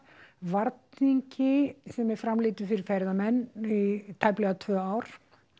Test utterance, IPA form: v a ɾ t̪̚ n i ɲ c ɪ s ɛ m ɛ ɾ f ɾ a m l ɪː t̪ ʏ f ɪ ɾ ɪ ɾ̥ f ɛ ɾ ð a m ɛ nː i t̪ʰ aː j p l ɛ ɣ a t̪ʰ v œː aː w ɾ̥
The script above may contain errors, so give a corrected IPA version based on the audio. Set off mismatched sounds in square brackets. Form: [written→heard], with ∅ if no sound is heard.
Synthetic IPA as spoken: v a ɾ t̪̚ n i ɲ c ɪ s ɛ m ɛ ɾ f ɾ a m l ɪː t̪ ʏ f ɪ ɾ ɪ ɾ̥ f ɛ ɾ ð a m ɛ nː i t̪ʰ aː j p l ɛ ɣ a t̪ʰ v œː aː w ɾ̥